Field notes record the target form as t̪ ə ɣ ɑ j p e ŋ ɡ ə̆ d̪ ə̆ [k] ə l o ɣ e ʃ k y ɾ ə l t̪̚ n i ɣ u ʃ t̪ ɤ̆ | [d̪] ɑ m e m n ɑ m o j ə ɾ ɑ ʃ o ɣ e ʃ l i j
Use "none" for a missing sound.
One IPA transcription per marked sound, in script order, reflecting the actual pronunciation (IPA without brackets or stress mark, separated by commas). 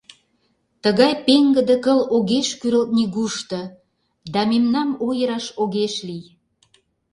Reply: k, d̪